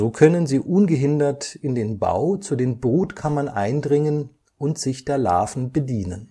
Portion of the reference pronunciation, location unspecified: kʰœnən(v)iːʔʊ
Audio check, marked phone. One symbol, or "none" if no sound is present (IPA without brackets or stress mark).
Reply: z